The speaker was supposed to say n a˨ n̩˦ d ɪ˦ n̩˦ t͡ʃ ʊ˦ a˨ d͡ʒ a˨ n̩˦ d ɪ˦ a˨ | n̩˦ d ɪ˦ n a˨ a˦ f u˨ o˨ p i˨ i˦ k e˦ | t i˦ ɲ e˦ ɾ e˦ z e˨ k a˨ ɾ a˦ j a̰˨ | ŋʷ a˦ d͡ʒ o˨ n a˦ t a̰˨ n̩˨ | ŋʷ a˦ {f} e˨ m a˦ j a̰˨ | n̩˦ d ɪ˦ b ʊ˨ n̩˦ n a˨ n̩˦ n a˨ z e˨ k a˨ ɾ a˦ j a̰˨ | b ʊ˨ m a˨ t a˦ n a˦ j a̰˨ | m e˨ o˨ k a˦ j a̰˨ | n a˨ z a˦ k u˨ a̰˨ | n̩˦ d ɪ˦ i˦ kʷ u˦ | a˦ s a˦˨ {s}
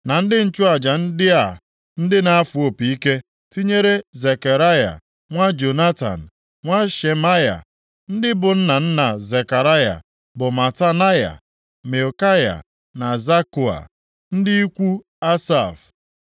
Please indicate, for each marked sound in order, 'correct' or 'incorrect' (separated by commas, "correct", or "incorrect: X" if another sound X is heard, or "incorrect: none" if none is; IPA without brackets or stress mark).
incorrect: ʃ, incorrect: f